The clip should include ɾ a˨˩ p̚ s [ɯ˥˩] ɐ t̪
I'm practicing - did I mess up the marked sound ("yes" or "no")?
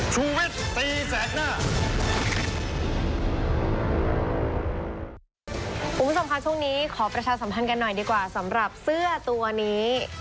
no